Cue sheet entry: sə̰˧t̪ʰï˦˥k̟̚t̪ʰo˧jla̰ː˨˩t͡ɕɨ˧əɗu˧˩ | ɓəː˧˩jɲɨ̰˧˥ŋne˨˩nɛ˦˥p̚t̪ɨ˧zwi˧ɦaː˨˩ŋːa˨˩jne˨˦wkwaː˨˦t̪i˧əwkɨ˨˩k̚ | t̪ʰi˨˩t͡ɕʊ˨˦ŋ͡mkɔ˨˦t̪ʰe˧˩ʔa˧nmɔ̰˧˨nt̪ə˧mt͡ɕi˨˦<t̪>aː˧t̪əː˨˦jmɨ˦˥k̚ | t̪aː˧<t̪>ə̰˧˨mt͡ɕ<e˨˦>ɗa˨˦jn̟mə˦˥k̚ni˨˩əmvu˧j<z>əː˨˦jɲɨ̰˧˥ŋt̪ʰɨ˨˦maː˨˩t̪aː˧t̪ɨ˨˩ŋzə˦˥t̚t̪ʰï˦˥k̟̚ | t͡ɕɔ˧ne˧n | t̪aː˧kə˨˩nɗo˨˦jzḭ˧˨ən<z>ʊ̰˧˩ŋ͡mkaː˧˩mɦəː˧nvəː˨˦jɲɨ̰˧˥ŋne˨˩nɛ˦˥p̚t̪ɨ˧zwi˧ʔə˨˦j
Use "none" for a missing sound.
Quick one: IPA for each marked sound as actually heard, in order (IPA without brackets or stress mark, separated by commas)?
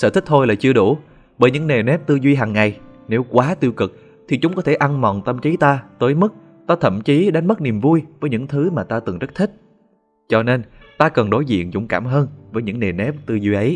t̪, t̪ʰ, i˨˦, v, z